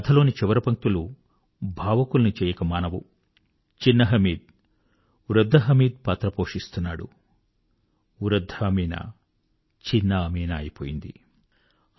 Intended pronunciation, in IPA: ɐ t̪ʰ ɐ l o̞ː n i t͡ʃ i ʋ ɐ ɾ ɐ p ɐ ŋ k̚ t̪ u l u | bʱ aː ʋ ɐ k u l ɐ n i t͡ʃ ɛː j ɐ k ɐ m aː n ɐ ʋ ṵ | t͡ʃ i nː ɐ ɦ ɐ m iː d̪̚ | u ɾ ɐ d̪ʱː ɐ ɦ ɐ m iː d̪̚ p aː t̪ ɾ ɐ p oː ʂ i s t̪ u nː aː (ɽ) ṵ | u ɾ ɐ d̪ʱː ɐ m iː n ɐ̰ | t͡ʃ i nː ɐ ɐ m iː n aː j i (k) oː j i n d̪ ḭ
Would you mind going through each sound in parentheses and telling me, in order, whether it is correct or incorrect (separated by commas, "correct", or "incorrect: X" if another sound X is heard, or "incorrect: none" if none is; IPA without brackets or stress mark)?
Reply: correct, incorrect: p